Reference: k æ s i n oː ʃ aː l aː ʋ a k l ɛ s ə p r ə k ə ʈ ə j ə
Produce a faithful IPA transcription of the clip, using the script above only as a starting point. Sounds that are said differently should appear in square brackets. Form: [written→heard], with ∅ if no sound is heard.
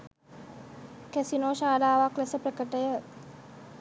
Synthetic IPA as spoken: k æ s i n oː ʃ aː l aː ʋ a k l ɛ s ə p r ə k ə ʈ ə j ə